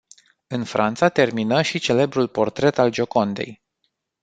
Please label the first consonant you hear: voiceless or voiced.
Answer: voiced